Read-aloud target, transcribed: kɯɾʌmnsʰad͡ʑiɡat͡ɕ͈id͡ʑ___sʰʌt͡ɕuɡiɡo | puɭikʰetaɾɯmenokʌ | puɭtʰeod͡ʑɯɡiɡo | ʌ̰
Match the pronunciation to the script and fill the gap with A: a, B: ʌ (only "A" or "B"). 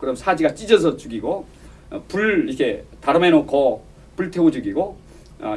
B